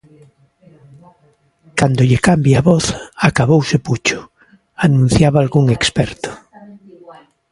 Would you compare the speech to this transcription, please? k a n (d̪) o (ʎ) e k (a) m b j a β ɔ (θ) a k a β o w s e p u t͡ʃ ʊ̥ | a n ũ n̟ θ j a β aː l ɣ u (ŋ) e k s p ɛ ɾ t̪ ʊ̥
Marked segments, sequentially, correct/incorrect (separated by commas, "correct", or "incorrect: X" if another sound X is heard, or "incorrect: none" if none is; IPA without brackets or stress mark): correct, correct, correct, correct, correct